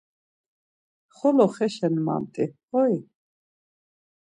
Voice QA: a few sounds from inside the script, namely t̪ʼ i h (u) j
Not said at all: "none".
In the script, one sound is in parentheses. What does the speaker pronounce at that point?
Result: ɔ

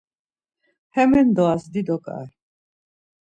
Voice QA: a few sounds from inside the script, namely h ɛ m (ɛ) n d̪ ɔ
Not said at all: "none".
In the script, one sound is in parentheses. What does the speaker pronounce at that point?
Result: ɛ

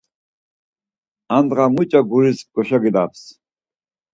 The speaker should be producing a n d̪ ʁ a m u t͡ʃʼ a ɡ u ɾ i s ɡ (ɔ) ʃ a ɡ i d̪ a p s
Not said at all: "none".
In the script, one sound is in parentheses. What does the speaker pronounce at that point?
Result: ɔ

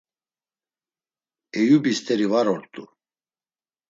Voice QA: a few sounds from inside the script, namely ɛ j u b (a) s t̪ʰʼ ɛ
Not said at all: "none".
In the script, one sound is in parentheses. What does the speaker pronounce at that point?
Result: i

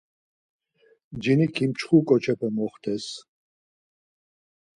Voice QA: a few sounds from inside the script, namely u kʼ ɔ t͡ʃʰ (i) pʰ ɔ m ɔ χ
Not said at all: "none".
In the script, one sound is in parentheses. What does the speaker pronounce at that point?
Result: ɛ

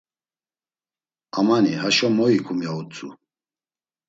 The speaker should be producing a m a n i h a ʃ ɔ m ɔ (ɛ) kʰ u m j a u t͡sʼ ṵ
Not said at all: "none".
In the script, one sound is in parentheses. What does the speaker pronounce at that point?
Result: i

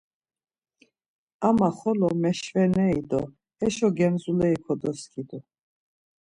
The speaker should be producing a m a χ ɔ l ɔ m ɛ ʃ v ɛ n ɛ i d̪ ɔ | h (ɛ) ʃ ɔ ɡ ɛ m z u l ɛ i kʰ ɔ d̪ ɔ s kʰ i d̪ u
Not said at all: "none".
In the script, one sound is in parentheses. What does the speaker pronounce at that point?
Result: ɛ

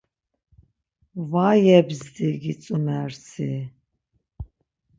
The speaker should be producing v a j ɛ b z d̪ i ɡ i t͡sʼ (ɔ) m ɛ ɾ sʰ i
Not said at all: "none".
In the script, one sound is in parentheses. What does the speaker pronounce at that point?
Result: u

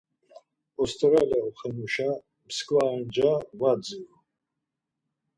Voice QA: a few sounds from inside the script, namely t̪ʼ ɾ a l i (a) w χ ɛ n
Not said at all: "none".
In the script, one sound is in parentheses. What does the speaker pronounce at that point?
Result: a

